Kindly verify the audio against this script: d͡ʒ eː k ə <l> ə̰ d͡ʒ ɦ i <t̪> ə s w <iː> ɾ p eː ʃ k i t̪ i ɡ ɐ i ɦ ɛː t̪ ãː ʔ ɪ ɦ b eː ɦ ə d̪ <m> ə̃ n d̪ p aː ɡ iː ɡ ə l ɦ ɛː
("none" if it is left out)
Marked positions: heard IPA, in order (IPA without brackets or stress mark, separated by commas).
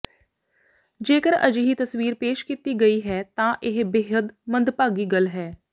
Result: ɾ, t̪, iː, m